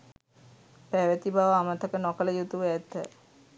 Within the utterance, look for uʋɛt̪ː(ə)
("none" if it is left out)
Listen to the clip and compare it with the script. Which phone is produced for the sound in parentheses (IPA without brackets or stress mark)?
ə